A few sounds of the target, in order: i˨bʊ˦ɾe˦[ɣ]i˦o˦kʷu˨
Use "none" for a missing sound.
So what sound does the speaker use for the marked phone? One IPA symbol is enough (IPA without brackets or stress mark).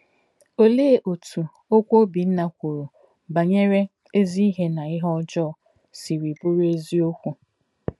z